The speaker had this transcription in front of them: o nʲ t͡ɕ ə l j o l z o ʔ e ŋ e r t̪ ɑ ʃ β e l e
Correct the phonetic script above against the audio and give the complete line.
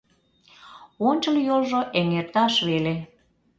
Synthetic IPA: o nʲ t͡ɕ ə l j o l ʒ o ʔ e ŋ e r t̪ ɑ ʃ β e l e